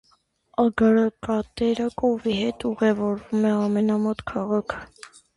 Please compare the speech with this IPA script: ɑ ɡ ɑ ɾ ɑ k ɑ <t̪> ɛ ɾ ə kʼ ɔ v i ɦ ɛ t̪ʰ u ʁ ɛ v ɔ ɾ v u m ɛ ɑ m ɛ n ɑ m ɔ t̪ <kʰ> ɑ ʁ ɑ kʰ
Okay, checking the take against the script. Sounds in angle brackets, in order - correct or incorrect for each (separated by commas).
correct, correct